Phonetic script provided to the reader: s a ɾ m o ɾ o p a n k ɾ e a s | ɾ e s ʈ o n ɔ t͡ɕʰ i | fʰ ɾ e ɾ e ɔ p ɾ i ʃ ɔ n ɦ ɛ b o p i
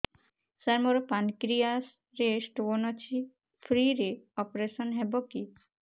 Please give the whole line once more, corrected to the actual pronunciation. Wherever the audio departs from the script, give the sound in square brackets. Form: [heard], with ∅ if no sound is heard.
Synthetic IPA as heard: s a ɾ m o ɾ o p a n k ɾ [i] a s | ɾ e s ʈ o n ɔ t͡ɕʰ i | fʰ ɾ [i] ɾ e ɔ p ɾ [e] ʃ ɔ n ɦ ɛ b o [k] i